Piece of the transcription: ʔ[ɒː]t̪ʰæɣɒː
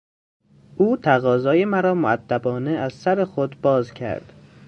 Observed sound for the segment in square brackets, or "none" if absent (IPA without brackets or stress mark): uː